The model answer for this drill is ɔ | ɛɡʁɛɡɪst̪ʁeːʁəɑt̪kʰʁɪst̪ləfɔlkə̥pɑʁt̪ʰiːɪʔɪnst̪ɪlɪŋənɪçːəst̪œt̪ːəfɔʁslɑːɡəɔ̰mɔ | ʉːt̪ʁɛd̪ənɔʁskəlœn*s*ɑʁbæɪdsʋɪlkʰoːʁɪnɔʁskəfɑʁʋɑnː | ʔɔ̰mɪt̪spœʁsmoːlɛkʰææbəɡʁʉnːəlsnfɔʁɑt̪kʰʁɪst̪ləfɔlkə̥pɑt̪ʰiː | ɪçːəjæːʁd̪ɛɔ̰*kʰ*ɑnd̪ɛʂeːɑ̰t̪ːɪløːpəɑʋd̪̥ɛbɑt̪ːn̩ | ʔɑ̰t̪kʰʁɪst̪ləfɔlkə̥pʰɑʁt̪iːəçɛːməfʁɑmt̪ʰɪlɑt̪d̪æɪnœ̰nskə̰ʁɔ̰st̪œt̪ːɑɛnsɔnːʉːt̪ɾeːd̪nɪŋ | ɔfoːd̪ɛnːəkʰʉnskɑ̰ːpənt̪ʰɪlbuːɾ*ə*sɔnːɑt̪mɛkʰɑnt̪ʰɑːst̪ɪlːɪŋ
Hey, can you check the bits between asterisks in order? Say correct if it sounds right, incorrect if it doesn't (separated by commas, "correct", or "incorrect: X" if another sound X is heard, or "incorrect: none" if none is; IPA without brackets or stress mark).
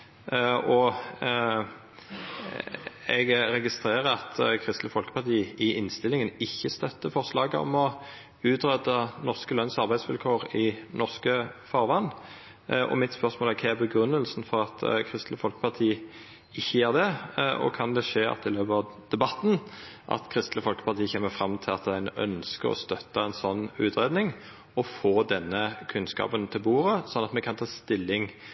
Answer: correct, correct, correct